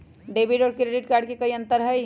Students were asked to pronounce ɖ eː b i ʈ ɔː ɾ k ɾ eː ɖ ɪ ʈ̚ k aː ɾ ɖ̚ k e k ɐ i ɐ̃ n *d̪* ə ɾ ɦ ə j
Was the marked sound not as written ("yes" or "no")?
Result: yes